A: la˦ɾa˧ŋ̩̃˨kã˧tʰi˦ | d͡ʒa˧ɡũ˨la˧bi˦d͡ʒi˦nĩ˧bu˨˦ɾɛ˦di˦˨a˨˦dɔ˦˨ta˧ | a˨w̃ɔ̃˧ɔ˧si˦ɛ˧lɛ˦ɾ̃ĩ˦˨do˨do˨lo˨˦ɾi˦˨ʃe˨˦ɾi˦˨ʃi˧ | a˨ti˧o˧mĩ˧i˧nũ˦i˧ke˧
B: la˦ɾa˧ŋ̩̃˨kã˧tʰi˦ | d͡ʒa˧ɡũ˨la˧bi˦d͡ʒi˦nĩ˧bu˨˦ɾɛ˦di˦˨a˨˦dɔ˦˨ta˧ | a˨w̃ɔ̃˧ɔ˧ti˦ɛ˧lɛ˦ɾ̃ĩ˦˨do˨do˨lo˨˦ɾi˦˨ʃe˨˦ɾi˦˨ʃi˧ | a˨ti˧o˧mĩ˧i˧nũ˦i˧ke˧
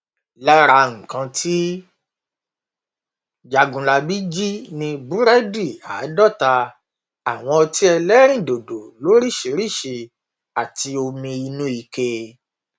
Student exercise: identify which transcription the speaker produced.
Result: B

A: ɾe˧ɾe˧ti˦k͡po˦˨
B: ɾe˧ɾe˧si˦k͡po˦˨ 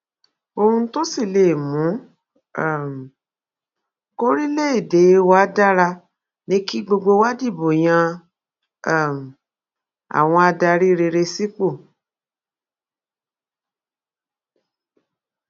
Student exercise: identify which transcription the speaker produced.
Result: B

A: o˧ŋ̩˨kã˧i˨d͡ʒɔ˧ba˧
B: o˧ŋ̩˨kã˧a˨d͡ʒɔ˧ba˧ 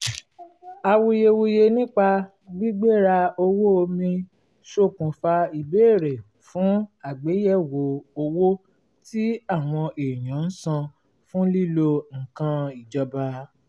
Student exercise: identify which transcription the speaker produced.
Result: A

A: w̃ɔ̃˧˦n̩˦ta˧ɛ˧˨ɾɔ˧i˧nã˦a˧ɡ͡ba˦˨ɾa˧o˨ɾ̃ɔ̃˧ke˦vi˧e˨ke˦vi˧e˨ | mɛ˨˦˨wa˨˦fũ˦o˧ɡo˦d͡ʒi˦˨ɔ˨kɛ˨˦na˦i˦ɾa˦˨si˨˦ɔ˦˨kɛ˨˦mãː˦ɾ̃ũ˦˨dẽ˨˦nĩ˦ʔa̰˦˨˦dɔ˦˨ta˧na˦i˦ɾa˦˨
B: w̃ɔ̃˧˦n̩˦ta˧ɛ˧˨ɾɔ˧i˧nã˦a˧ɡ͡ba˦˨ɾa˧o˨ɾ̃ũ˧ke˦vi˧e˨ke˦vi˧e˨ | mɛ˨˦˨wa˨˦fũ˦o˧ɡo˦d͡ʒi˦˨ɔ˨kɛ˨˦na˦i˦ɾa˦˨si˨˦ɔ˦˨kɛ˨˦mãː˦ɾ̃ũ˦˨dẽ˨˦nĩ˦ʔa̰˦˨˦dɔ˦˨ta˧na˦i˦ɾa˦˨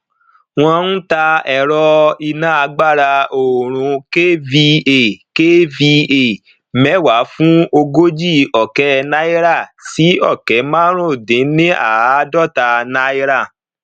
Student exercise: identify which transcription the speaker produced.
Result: B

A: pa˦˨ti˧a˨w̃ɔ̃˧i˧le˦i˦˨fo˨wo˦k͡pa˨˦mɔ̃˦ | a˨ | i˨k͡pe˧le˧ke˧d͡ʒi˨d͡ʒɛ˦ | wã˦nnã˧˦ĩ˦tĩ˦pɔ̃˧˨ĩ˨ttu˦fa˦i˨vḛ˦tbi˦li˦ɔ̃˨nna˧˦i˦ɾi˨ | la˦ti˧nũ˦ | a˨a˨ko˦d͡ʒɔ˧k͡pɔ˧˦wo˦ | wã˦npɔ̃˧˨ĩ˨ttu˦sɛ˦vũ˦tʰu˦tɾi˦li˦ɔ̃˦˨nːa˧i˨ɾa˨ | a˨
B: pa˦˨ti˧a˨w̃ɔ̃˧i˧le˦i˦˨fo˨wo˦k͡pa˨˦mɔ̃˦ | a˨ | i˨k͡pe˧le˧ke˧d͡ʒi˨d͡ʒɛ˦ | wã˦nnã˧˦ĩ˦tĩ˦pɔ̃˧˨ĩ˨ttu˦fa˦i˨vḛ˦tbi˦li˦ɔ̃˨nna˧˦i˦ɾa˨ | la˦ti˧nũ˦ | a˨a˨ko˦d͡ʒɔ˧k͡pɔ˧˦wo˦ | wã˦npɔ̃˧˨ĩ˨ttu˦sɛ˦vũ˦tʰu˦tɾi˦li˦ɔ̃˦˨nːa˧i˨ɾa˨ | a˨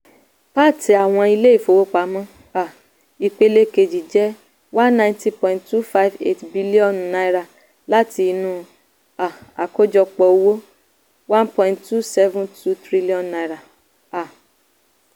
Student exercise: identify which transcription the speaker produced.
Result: B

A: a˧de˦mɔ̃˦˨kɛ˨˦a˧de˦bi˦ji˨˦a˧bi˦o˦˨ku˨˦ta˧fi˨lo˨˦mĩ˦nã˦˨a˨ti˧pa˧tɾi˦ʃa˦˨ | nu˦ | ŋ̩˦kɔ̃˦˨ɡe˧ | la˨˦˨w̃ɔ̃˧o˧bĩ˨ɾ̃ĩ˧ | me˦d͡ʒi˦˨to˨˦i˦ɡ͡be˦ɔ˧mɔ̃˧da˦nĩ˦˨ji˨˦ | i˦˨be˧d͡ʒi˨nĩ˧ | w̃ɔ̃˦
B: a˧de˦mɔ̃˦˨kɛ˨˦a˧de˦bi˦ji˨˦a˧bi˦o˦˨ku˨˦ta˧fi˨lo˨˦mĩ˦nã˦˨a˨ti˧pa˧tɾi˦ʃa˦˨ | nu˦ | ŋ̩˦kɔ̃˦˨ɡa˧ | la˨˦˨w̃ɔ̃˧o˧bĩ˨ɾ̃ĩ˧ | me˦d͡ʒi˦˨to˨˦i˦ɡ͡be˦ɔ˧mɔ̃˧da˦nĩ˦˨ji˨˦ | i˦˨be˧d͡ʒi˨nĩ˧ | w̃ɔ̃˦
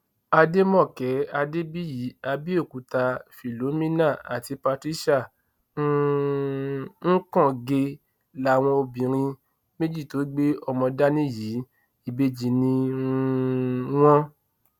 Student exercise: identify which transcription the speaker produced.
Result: A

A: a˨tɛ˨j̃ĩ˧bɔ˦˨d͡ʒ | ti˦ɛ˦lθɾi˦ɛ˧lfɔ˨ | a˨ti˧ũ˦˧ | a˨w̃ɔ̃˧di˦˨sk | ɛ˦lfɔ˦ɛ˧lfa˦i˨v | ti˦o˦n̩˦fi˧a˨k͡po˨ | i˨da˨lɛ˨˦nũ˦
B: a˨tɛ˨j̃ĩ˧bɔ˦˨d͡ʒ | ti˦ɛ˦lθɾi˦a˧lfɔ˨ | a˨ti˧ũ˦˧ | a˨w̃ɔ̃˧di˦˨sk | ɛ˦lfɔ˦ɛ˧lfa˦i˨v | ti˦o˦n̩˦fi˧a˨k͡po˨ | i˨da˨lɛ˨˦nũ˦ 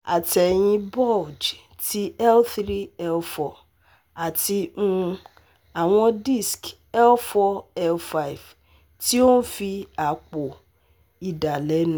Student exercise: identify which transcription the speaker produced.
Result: A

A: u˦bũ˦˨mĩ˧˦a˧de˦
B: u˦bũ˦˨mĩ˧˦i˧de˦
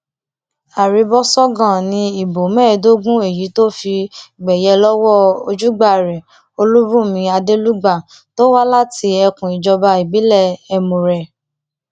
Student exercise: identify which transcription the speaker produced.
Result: A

